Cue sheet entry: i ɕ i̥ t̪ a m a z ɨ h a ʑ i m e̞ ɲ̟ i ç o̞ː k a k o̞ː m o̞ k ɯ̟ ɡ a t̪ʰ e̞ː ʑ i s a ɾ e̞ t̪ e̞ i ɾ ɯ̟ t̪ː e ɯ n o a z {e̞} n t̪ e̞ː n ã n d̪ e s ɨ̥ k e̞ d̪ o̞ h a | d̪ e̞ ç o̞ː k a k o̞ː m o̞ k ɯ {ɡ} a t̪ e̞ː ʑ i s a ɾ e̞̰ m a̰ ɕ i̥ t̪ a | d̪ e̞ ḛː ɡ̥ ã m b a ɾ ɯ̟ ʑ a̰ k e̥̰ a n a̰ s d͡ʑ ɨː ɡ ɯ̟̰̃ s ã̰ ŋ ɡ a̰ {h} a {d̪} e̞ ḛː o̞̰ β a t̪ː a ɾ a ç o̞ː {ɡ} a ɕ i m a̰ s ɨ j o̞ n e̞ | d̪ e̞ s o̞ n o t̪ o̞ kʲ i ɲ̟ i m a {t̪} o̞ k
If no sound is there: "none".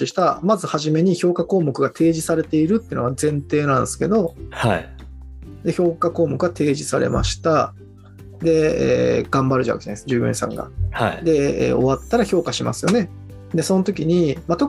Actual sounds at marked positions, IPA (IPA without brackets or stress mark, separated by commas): ẽ̞, ɡ, h, d̪, k, t̪